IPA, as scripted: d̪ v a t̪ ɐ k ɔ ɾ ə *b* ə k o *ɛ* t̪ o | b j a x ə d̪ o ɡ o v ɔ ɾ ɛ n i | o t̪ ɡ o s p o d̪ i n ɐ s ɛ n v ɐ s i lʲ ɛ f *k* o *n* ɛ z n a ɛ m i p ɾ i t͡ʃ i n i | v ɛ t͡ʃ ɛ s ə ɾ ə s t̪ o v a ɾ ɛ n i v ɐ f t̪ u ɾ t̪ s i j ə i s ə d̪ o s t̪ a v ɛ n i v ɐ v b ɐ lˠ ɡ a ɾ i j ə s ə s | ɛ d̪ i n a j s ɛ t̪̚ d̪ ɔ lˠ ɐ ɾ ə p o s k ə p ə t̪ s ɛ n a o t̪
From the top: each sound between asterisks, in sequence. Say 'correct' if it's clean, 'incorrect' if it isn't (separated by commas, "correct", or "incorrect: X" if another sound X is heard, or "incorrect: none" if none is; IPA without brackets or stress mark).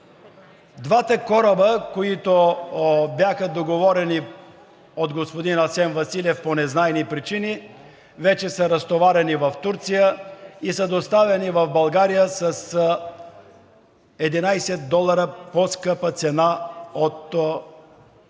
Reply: correct, incorrect: i, incorrect: p, correct